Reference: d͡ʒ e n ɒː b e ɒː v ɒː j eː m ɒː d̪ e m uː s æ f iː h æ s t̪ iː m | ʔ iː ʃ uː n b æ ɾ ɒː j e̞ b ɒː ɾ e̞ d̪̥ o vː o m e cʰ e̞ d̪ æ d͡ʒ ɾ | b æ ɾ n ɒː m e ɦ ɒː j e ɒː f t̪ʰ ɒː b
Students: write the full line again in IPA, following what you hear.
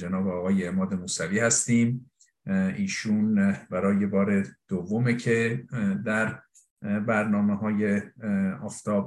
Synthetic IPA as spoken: d͡ʒ e n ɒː b e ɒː ɣ ɒː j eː m ɒː d̪ e m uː s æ v iː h æ s t̪ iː m | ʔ iː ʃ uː n b æ ɾ ɒː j e̞ b ɒː ɾ e̞ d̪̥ o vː o m e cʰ e̞ d̪ æ ɾ | b æ ɾ n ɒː m e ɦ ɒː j e ɒː f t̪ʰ ɒː b